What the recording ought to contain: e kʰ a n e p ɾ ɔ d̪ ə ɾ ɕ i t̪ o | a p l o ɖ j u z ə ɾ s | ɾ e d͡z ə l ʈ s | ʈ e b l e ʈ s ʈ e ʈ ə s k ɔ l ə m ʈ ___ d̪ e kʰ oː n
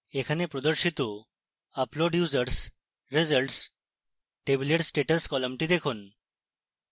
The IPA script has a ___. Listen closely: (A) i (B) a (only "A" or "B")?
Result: A